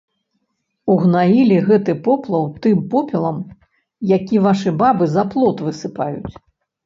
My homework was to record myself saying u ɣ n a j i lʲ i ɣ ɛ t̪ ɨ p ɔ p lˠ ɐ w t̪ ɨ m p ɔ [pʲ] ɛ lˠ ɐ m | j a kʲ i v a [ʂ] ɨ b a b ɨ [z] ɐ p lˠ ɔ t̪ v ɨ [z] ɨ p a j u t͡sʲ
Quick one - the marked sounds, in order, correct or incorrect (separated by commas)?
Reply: correct, correct, correct, incorrect